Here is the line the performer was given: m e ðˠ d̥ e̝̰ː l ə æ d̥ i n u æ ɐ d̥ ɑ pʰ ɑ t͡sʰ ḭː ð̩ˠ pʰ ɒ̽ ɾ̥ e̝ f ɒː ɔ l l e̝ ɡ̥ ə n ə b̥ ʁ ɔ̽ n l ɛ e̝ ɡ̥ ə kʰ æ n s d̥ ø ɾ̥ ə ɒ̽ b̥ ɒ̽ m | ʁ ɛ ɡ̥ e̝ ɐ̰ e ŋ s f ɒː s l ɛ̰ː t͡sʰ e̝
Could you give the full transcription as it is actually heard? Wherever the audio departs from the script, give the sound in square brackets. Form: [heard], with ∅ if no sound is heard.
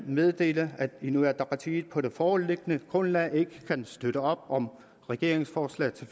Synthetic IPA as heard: m e ðˠ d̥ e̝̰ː l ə æ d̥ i n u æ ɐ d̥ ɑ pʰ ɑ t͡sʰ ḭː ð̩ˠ pʰ ɒ̽ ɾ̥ e̝ f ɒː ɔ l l e̝ ɡ̥ ə n ə [ɡ̥] ʁ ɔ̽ n l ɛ e̝ ɡ̥ ə kʰ æ n s d̥ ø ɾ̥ ə ɒ̽ b̥ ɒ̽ m | ʁ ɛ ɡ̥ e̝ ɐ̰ e ŋ s f ɒː s l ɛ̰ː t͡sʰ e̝